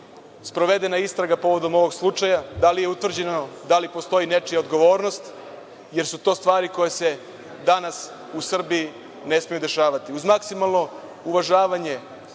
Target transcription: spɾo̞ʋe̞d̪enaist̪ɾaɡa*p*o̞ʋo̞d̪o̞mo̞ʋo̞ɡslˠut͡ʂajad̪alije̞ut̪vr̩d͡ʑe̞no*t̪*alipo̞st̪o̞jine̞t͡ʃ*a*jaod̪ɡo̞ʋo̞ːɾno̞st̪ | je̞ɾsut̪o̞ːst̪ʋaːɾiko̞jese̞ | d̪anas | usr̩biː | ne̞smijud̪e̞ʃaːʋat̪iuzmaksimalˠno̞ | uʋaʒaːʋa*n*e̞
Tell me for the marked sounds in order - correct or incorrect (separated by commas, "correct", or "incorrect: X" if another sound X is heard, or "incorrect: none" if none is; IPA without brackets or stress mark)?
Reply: correct, incorrect: d̪, incorrect: i, incorrect: ɲ